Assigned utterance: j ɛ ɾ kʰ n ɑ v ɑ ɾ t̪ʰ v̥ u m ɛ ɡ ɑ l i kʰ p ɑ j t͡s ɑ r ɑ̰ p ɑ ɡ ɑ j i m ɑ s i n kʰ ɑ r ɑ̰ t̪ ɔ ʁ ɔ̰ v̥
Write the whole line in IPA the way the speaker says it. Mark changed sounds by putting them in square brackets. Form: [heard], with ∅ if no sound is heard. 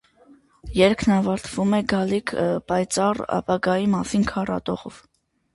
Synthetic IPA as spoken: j ɛ ɾ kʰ n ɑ v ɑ ɾ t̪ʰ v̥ u m ɛ ɡ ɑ l i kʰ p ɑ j t͡s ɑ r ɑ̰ p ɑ ɡ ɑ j i m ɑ s i n kʰ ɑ r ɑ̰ t̪ ɔ ʁ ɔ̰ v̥